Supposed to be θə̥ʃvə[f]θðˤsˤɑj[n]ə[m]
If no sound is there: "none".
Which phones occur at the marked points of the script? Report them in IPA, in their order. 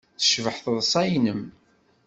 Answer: ħ, n, m

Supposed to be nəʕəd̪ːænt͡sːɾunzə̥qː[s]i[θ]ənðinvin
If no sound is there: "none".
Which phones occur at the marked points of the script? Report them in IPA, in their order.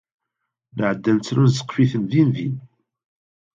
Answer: f, θ

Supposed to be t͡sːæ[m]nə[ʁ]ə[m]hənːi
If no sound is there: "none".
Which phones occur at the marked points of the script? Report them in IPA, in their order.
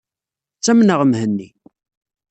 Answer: m, ʁ, m

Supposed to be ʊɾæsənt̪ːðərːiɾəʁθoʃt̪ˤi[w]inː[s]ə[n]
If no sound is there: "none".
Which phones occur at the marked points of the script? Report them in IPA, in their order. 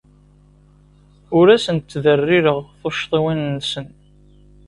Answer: w, s, n

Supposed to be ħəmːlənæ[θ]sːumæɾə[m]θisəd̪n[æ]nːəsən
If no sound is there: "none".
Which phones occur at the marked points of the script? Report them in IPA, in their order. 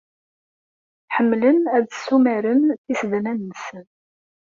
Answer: ð, n, æ

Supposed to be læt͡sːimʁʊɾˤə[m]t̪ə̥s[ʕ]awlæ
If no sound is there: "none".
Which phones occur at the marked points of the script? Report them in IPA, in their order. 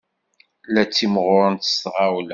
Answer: n, ʁ

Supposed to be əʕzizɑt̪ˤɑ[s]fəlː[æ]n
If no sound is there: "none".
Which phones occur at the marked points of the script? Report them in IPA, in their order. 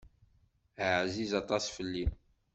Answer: s, i

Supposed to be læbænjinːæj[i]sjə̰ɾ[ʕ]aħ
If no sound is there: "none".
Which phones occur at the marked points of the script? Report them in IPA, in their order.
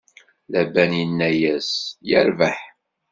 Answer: æ, v

